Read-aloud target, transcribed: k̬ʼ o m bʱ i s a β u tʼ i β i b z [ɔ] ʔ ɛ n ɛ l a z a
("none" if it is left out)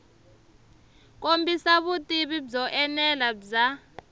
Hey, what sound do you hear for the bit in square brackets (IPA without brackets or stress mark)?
ɔ